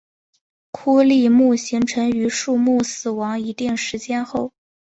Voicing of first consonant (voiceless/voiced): voiceless